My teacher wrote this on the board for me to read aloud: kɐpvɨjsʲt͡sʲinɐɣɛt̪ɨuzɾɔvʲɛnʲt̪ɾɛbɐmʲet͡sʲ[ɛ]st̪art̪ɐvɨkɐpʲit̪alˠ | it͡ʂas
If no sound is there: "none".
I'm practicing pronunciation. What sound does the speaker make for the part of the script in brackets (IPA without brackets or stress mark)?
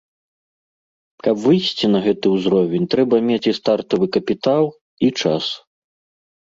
i